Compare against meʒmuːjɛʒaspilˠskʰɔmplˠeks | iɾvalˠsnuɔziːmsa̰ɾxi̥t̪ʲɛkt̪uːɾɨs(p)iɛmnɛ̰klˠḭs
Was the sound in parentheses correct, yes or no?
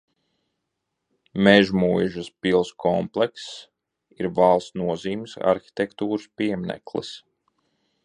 yes